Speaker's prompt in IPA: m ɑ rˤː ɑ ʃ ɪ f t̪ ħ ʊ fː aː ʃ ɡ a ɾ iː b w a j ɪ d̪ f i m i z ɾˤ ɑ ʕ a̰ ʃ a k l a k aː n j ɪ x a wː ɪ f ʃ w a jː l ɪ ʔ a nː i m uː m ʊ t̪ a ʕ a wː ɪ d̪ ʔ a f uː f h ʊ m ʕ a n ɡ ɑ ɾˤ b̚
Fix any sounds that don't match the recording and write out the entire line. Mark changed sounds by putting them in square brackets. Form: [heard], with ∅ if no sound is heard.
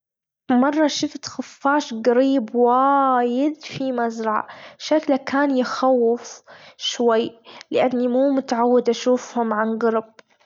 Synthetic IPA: m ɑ rˤː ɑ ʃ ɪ f t̪ [x] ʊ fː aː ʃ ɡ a ɾ iː b w a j ɪ d̪ f i m [a] z ɾˤ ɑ ʕ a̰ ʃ a k l a k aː n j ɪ x a wː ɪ f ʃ w a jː l ɪ ʔ a nː i m uː m ʊ t̪ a ʕ a wː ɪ d̪ ʔ a [ʃ] uː f h ʊ m ʕ a n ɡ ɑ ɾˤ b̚

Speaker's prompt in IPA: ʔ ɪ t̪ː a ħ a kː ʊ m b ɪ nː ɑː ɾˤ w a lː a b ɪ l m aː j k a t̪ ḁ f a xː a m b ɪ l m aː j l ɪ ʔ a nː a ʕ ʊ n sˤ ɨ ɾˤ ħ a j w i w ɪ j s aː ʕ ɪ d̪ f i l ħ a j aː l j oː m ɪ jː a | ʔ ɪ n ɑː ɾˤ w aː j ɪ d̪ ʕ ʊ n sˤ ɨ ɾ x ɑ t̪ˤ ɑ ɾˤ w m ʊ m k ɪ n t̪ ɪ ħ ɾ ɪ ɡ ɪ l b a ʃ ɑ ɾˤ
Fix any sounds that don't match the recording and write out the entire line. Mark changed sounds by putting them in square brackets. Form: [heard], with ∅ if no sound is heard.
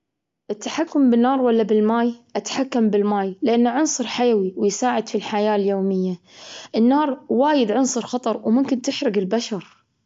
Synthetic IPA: ʔ ɪ t̪ː a ħ a kː ʊ m b ɪ nː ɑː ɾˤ w a lː a b ɪ l m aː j [ʔ] a t̪ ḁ [ħ] a [kː] a m b ɪ l m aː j l ɪ ʔ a nː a ʕ ʊ n sˤ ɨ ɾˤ ħ a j w i w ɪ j s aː ʕ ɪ d̪ f i l ħ a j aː l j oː m ɪ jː a | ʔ ɪ [nː] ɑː ɾˤ w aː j ɪ d̪ ʕ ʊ n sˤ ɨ ɾ x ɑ t̪ˤ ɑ ɾˤ w m ʊ m k ɪ n t̪ ɪ ħ ɾ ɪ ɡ ɪ l b a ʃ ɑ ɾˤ

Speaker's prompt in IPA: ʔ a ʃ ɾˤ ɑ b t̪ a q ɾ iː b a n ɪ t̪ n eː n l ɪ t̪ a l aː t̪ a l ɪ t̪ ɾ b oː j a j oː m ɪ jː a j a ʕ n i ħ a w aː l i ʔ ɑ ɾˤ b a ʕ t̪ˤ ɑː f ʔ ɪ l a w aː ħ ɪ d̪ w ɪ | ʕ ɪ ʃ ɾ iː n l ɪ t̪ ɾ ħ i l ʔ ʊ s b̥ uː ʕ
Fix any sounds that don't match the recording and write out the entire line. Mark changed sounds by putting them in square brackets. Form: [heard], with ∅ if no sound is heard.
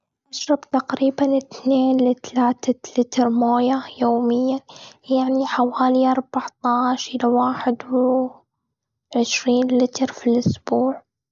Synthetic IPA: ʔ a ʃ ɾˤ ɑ b t̪ a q ɾ iː b a n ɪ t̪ n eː n l ɪ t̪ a l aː t̪ a l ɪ t̪ ɾ [m] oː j a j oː m ɪ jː a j a ʕ n i ħ a w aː l i ʔ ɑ ɾˤ b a ʕ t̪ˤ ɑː [ʃ] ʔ ɪ l a w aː ħ ɪ d̪ w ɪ | ʕ ɪ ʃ ɾ iː n l ɪ t̪ ɾ [f] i l ʔ ʊ s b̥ uː ʕ

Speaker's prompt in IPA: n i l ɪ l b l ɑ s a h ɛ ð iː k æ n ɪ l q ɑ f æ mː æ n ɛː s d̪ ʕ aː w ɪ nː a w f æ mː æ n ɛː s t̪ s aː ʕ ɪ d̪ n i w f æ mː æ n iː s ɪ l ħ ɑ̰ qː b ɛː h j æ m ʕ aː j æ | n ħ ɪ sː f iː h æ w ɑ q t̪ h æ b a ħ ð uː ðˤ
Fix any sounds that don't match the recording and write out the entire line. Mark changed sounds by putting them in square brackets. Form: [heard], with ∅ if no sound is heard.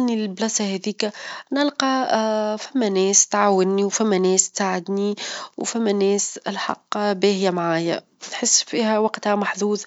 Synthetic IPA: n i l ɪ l b l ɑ s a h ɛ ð iː k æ n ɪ l q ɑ f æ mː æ n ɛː s [t̪] ʕ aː w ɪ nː [i] w f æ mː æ n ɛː s t̪ s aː ʕ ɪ d̪ n i w f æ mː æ n [ɛː] s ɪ l ħ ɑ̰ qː b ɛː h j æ m ʕ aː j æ | n ħ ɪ sː f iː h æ w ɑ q t̪ h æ [m] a ħ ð uː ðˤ

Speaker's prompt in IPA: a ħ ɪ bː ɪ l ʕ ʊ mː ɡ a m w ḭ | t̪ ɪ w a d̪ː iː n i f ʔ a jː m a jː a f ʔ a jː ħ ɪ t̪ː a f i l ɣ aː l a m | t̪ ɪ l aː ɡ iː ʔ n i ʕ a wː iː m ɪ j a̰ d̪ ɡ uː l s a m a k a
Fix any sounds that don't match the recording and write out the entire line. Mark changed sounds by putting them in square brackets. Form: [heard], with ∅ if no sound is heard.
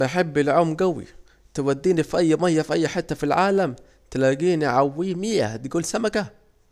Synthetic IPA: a ħ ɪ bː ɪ l ʕ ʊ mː ɡ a [∅] w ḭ | t̪ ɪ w a d̪ː iː n i f ʔ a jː m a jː a f ʔ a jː ħ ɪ t̪ː a f i l [ʕ] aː l a m | t̪ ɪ l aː ɡ iː [∅] n i ʕ a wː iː m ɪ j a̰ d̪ ɡ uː l s a m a k a

